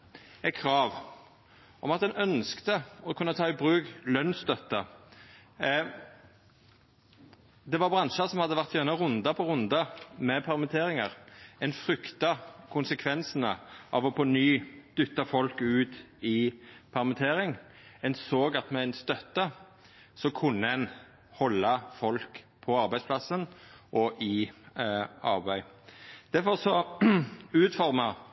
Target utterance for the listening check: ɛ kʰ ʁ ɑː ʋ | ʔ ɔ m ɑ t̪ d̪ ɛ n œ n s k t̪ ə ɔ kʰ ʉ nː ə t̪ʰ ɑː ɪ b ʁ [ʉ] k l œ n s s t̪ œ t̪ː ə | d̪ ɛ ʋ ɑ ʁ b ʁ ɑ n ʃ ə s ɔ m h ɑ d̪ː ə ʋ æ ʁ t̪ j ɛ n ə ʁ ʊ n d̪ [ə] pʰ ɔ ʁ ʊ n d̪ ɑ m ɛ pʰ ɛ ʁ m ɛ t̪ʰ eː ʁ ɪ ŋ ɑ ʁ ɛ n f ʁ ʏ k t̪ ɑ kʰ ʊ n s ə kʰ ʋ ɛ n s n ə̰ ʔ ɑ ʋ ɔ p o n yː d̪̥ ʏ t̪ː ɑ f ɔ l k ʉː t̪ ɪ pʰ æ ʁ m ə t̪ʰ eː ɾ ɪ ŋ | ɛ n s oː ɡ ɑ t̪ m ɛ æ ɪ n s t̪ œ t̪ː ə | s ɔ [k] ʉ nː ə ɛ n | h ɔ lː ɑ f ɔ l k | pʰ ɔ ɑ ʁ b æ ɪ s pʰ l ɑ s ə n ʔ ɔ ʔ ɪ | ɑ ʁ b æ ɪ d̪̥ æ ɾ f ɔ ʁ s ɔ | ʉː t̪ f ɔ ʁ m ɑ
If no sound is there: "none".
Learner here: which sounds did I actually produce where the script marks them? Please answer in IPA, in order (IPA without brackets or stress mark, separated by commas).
ʉː, ɑ, kʰ